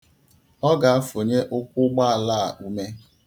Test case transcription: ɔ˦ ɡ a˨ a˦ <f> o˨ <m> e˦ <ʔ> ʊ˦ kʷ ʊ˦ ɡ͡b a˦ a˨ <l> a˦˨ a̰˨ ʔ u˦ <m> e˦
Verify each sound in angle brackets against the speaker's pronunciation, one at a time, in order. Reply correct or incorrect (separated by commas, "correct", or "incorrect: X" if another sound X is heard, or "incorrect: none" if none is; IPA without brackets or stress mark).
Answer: correct, incorrect: ɲ, correct, correct, correct